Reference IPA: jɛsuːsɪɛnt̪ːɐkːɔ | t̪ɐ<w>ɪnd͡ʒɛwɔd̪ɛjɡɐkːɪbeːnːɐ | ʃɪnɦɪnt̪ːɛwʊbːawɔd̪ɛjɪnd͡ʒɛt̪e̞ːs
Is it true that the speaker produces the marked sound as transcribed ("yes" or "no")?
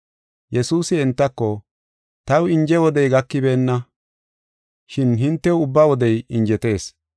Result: yes